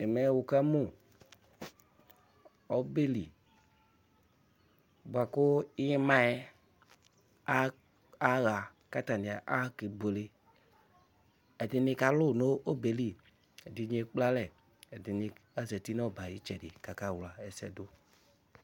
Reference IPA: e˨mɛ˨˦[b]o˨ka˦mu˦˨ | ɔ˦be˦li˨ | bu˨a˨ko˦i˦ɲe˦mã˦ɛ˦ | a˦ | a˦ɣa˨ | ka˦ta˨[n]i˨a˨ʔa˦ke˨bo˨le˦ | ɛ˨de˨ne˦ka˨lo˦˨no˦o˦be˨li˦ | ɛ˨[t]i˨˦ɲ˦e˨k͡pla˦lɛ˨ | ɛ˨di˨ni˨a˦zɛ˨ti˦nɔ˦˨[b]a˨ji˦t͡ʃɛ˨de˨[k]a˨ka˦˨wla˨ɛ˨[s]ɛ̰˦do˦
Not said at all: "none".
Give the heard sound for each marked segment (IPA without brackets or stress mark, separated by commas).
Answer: w, n, d, b, k, s